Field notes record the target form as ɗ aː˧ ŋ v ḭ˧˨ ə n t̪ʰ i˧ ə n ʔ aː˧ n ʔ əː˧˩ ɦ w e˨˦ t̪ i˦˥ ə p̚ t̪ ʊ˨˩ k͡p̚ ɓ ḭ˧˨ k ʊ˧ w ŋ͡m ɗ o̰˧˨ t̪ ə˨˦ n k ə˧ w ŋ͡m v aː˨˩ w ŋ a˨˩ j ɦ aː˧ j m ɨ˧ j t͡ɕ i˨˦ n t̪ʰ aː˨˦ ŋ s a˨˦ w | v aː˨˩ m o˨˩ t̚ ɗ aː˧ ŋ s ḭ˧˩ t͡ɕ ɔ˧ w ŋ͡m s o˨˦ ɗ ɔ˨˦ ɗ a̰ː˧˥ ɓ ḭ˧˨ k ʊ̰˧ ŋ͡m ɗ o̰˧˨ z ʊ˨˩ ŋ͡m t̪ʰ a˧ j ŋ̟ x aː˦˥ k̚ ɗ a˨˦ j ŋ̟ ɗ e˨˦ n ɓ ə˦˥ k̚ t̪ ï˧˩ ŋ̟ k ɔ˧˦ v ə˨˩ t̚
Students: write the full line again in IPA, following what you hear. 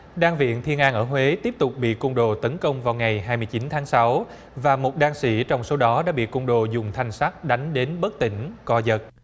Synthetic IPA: ɗ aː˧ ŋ v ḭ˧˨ ə n t̪ʰ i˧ ə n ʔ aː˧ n ʔ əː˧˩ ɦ w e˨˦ t̪ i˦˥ ə p̚ t̪ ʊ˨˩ k͡p̚ ɓ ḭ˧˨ k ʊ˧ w ŋ͡m ɗ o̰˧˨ t̪ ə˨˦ n k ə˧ w ŋ͡m v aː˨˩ w ŋ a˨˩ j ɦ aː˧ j m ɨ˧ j t͡ɕ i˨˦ n t̪ʰ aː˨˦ ŋ s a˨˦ w | v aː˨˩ m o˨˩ t̚ ɗ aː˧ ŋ s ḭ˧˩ t͡ɕ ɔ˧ w ŋ͡m s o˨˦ ɗ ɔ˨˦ ɗ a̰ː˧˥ ɓ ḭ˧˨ k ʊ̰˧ ŋ͡m ɗ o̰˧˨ z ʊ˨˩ ŋ͡m t̪ʰ a˨˩ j ŋ̟ s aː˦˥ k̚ ɗ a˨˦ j ŋ̟ ɗ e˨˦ n ɓ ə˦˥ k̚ t̪ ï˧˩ ŋ̟ k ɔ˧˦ z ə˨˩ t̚

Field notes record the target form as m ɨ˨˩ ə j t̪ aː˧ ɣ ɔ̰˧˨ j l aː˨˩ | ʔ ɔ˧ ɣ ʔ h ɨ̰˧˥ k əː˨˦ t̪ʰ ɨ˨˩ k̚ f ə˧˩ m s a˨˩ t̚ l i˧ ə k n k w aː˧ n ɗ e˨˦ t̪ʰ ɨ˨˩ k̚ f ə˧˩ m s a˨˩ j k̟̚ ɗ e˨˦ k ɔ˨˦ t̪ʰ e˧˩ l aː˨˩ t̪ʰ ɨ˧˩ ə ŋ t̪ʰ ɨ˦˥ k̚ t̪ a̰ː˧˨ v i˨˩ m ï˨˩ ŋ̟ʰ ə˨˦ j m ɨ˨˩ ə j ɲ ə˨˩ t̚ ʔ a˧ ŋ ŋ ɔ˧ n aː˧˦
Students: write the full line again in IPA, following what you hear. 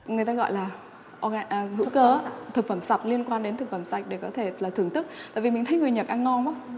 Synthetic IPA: ŋ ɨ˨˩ ə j t̪ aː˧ ɣ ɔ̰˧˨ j l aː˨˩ | ʔ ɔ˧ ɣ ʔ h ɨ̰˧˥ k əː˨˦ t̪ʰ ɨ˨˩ k̚ f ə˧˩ m s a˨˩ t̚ l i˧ ə n k w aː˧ n ɗ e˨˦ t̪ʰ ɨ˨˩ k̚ f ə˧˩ m s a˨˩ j k̟̚ ɗ e˧˩ k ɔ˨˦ t̪ʰ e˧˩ l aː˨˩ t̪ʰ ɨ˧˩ ə ŋ t̪ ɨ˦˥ k̚ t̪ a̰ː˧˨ v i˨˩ m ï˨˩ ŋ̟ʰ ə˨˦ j ŋ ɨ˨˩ ə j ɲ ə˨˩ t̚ ʔ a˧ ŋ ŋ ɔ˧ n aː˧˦

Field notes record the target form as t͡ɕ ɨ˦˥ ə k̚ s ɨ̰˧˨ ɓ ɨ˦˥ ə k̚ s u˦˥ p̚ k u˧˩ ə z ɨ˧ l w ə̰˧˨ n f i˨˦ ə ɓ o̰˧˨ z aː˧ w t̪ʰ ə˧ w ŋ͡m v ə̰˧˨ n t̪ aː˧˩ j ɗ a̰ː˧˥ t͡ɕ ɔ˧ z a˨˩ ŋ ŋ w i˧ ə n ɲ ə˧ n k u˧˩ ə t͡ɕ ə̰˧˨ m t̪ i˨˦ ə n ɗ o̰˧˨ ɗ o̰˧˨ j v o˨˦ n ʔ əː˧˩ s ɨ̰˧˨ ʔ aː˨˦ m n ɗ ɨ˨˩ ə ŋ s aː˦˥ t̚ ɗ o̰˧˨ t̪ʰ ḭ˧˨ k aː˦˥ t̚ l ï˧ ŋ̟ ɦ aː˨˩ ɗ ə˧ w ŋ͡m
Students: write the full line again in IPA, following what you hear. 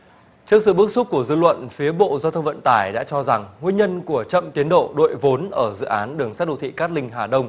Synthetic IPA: t͡ɕ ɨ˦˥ ə k̚ s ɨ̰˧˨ ɓ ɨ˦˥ ə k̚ s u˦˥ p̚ k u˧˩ ə z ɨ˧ l w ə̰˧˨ n f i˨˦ ə ɓ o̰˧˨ z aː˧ w t̪ʰ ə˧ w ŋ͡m v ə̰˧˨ n t̪ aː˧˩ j ɗ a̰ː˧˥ t͡ɕ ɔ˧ z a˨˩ ŋ ŋ w i˧ ə n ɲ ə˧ n k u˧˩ ə t͡ɕ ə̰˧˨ m t̪ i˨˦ ə n ɗ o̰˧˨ ɗ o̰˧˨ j v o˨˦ n ʔ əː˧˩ z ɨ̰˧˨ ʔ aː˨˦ n ɗ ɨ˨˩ ə ŋ s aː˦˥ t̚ ɗ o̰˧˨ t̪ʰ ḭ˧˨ k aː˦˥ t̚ l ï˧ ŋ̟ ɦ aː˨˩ ɗ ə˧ w ŋ͡m

